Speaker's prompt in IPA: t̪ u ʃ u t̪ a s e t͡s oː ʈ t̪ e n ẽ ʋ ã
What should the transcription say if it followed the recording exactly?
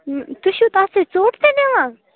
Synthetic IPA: t̪ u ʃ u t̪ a s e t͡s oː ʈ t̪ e n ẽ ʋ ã